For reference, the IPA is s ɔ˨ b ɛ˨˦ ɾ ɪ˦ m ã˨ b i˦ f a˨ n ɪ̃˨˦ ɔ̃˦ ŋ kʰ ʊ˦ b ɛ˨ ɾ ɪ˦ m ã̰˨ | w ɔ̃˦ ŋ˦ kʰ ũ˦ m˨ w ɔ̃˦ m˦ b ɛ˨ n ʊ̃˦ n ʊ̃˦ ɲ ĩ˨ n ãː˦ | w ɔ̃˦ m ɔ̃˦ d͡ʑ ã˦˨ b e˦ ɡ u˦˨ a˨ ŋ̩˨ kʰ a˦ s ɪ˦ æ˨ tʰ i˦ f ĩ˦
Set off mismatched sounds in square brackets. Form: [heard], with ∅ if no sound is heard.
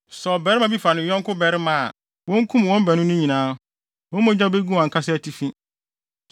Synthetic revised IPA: s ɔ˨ b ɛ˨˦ ɾ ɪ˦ m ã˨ b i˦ f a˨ n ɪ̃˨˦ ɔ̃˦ ŋ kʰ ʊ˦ b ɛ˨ ɾ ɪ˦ m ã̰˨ | w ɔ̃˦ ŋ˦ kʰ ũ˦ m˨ w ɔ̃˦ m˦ b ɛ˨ n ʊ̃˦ n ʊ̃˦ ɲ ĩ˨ n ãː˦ | w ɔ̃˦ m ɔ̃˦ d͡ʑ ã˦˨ b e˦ ɡ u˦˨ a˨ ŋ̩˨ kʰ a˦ s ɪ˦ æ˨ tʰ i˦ f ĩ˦

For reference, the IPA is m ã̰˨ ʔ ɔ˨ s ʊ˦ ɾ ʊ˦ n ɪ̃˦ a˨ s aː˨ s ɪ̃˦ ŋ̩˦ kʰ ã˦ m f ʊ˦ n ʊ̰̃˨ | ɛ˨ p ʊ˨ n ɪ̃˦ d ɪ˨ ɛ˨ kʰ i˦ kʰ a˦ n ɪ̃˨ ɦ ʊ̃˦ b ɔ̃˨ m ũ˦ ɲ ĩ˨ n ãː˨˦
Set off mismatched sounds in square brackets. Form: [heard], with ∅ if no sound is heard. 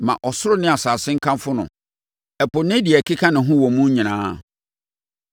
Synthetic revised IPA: m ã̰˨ ʔ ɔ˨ s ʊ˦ ɾ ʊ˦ n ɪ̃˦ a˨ s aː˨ s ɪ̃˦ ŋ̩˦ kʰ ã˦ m f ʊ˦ n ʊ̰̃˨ | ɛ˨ p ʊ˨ n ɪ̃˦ d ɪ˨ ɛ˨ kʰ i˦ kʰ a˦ n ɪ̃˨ ɦ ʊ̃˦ [w] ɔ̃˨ m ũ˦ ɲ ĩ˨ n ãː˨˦

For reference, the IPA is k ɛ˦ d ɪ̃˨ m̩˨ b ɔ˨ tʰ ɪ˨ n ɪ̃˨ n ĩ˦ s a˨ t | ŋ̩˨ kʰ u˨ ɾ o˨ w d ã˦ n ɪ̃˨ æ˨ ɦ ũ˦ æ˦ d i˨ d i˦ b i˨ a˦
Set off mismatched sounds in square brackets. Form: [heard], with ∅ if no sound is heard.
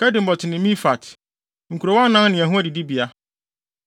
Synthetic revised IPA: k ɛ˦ d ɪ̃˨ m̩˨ b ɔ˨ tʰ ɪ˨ n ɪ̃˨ [m] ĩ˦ [f] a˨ t | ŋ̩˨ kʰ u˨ ɾ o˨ w [n] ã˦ n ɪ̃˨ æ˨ ɦ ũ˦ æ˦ d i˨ d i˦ b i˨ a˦

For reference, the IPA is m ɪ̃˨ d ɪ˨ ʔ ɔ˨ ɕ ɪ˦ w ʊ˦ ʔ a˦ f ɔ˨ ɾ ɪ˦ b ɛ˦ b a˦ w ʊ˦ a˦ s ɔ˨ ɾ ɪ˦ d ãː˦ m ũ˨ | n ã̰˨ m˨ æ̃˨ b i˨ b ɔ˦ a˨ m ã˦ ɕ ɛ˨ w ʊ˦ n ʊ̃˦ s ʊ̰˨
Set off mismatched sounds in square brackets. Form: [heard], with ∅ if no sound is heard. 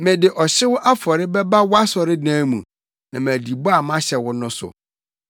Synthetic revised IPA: m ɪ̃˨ d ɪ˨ ʔ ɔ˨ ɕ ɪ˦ w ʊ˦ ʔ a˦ f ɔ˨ ɾ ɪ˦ b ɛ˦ b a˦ w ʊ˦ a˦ s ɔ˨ ɾ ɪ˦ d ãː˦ m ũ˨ | n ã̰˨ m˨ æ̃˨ [d] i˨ b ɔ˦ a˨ m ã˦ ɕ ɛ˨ w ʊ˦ n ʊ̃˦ s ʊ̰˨

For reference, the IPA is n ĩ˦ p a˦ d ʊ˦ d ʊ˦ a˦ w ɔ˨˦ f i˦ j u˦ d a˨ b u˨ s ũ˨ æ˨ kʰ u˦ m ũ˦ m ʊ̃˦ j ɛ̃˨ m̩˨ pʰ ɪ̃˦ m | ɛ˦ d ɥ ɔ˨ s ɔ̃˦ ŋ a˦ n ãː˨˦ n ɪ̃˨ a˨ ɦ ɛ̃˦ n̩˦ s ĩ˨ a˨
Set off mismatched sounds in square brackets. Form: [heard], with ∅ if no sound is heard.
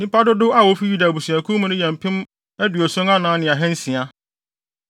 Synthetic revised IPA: n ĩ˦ p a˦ d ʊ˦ d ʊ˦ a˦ w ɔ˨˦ f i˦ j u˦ d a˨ b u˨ s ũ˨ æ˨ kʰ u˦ m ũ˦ [n] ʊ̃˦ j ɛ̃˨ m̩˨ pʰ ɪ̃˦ m | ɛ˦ d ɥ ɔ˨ s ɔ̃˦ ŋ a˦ n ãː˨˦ n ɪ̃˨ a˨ ɦ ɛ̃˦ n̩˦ s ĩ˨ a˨

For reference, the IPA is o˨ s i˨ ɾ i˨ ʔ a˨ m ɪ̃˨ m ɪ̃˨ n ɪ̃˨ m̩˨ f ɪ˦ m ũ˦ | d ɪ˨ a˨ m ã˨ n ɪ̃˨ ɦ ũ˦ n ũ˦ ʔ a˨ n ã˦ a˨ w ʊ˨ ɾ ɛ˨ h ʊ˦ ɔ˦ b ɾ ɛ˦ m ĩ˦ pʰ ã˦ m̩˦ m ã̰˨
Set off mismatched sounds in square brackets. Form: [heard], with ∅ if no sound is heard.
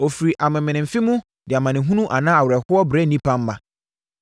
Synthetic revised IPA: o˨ [f] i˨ ɾ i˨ ʔ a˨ m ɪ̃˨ m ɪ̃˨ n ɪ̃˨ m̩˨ f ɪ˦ m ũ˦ | d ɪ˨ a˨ m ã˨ n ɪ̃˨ ɦ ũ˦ n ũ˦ ʔ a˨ n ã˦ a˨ w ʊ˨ ɾ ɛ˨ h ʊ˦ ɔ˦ b ɾ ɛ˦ [n] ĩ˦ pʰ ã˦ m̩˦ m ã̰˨

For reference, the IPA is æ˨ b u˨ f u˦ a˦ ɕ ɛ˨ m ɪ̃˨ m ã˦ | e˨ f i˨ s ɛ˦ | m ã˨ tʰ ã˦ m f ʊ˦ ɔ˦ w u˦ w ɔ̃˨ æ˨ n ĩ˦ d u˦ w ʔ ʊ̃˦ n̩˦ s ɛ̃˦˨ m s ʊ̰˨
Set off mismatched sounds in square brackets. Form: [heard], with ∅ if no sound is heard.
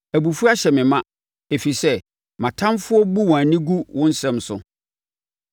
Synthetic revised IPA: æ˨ b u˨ f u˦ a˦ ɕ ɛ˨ m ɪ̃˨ m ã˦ | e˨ f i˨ s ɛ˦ | m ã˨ tʰ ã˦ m f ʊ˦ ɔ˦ [b] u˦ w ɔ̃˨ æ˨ n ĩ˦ [ɡ] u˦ w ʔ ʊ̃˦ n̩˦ s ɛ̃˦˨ m s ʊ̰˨

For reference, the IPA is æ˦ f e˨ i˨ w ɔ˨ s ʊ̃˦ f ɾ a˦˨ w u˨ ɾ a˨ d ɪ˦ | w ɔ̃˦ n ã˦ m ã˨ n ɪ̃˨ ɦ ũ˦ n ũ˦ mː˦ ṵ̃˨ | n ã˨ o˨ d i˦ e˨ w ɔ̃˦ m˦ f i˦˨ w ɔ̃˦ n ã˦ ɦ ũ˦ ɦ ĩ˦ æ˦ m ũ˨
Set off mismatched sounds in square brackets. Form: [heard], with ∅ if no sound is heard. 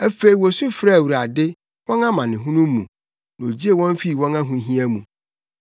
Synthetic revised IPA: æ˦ f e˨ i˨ w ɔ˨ s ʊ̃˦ f ɾ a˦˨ w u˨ ɾ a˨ d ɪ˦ | w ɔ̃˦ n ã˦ m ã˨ n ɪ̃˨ ɦ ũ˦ n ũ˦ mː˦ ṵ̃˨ | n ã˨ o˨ [d͡ʑ] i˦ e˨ w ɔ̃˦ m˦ f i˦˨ w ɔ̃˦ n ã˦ ɦ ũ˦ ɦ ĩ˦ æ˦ m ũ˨

